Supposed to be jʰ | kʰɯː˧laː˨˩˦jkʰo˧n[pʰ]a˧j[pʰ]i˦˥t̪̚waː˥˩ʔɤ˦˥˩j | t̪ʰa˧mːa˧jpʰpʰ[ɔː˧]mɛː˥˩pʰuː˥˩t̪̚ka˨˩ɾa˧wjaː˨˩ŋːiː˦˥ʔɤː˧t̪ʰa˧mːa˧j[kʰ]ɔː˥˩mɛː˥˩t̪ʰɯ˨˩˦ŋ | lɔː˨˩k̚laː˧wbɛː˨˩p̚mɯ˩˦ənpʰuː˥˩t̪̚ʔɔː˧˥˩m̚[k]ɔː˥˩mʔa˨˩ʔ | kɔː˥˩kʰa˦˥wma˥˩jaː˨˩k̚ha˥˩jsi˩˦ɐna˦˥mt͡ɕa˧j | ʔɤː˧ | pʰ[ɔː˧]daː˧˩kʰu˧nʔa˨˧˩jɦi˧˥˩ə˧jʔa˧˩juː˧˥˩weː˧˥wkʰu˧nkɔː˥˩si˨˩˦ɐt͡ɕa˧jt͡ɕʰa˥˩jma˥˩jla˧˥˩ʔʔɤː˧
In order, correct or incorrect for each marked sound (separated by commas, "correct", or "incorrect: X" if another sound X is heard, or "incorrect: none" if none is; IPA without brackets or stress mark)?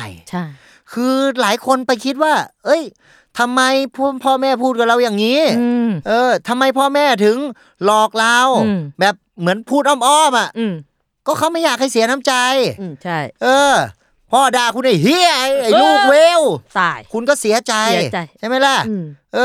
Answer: incorrect: p, incorrect: kʰ, incorrect: ɔː˥˩, incorrect: pʰ, incorrect: ʔ, incorrect: ɔː˥˩